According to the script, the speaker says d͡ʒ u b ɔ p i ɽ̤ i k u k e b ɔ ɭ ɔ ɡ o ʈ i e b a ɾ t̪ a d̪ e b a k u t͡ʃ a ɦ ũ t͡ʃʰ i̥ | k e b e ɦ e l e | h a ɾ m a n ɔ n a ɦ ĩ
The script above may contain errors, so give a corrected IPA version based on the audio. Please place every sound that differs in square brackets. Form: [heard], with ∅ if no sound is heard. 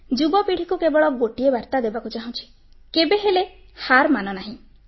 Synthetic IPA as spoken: d͡ʒ u b ɔ p i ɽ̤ i k u k e b ɔ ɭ ɔ ɡ o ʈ i e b a ɾ t̪ a d̪ e b a k u t͡ʃ a ɦ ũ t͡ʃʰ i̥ | k e b e ɦ e l e | h a ɾ m a n ɔ n a ɦ ĩ